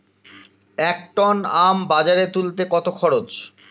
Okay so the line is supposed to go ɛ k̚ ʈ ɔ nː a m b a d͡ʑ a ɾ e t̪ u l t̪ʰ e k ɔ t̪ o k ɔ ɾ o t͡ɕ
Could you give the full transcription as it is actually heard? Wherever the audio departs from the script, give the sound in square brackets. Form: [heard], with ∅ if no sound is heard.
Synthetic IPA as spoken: ɛ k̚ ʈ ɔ [n] a m b a d͡ʑ a ɾ e t̪ u l [t̪] e k ɔ t̪ o [kʰ] ɔ ɾ o t͡ɕ